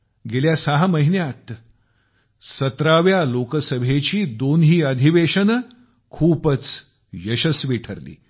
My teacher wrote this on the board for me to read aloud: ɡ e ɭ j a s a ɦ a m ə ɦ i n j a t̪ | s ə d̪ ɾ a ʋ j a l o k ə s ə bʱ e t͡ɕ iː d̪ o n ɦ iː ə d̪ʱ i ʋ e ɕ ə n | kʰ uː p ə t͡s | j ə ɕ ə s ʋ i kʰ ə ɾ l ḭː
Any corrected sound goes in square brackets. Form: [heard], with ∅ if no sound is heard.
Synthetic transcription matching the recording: ɡ e [l] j a s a ɦ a m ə ɦ i n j a t̪ | s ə [t̪] ɾ a ʋ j a l o k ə s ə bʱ e t͡ɕ iː d̪ o n ɦ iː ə d̪ʱ i ʋ e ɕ ə n | kʰ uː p ə t͡s | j ə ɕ ə s ʋ i [ʈʰ] ə ɾ l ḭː